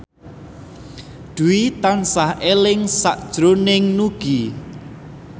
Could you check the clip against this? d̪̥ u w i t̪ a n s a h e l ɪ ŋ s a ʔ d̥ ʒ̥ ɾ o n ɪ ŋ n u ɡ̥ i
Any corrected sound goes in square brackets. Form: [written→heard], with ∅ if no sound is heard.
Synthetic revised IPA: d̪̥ u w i t̪ a n s a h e l ɪ ŋ s a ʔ d̥ ʒ̥ ɾ o n ɪ ŋ n u ɡ̥ i